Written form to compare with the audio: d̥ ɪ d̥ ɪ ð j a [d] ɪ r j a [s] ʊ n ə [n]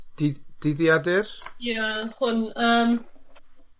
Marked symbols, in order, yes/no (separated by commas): yes, no, no